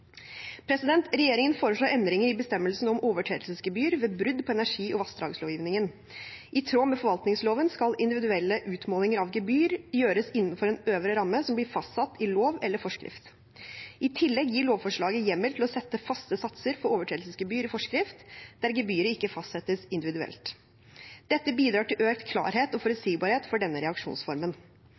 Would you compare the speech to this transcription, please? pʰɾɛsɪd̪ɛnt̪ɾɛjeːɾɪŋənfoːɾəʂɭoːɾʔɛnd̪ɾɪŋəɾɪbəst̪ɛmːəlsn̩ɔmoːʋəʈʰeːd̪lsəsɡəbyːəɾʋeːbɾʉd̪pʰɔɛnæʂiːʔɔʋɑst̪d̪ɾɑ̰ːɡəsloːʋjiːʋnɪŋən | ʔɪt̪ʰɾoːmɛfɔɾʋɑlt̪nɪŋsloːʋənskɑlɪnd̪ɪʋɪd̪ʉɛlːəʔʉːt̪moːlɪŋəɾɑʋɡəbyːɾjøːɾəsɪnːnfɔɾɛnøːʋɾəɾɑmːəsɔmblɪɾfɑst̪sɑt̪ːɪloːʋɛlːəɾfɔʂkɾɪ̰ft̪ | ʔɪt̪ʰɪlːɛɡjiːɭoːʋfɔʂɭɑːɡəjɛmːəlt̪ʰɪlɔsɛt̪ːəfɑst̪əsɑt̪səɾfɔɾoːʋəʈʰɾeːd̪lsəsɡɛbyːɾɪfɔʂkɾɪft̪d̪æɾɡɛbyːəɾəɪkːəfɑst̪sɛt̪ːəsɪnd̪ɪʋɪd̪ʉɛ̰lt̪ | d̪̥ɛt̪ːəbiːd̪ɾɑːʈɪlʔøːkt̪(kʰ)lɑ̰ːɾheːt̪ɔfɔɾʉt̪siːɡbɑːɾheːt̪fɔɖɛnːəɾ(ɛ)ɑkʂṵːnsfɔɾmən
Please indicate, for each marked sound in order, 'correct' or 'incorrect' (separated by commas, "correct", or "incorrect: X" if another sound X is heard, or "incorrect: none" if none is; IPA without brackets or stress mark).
correct, correct